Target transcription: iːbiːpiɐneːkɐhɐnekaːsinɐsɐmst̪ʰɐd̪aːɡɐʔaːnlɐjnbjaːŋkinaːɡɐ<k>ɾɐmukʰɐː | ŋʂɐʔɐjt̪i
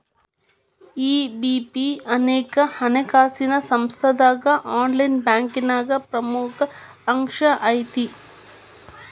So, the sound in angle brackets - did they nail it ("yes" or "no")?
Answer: no